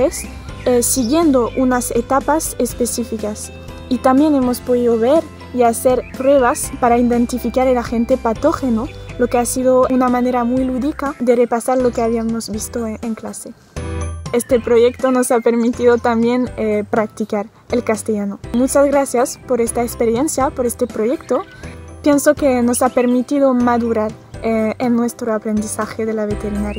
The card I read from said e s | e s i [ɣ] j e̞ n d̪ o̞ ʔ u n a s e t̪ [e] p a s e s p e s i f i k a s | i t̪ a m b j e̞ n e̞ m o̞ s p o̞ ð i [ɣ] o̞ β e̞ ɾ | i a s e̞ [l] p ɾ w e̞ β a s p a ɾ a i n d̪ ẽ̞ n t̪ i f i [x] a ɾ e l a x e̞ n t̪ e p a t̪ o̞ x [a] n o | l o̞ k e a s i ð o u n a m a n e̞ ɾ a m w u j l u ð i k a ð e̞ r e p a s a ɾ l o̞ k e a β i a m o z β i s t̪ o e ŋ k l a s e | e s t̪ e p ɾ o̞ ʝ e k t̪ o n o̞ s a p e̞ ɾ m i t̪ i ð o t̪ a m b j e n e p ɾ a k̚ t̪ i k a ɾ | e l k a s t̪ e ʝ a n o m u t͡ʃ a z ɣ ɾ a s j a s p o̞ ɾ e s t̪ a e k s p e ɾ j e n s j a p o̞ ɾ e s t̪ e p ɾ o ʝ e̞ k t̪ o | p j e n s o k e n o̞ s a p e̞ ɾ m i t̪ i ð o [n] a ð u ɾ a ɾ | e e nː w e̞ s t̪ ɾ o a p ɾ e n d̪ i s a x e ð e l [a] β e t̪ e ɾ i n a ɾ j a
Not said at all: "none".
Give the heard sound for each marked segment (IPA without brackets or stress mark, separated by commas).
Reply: ɣ, a, ð, ɾ, k, e, m, a